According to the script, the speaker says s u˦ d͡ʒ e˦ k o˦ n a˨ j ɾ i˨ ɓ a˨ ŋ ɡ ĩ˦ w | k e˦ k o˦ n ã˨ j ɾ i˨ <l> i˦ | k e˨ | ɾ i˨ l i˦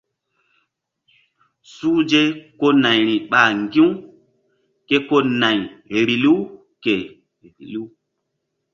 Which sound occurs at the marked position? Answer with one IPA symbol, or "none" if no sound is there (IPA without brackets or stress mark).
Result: l